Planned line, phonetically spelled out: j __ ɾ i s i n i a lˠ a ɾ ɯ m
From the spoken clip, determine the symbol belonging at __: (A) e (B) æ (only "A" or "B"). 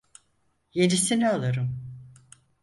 A